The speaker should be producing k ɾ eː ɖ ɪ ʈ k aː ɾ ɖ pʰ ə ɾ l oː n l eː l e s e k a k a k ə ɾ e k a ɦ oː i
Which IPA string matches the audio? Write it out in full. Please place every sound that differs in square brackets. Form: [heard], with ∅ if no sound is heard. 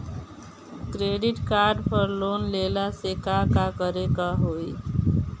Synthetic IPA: k ɾ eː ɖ ɪ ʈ k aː ɾ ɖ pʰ ə ɾ l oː n l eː l [a] s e k a k a k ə ɾ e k a ɦ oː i